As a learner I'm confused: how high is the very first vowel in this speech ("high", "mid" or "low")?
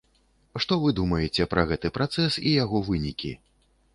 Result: mid